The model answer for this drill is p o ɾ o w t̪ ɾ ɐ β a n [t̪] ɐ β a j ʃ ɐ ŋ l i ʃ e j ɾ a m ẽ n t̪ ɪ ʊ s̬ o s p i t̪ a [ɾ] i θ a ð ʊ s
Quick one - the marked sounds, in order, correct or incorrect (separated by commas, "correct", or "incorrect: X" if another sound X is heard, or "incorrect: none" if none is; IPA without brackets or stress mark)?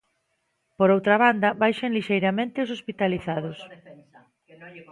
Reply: incorrect: d̪, incorrect: l